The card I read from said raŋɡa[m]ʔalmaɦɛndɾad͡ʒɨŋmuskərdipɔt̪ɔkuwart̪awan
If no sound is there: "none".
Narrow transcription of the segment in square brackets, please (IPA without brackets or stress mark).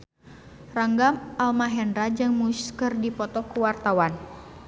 m